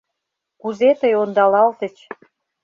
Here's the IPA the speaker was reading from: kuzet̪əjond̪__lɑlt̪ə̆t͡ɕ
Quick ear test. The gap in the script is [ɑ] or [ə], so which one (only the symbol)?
ɑ